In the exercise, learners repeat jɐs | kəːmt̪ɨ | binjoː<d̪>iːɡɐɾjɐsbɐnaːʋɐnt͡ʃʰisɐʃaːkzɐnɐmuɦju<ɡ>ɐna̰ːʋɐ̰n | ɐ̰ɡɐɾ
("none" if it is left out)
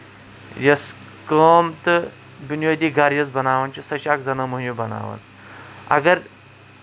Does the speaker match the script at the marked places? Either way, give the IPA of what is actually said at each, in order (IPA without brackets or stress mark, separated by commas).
d̪, b